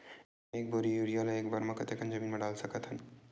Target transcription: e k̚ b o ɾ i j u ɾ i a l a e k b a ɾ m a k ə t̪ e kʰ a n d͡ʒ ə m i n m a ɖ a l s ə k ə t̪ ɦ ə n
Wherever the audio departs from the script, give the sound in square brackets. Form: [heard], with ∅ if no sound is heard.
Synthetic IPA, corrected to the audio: e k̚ b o ɾ i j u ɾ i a l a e k b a ɾ m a k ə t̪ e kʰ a n d͡ʒ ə m i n m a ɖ a l s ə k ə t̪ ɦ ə n